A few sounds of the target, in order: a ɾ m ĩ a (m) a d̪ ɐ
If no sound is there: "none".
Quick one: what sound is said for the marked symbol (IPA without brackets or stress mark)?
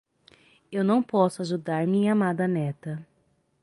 m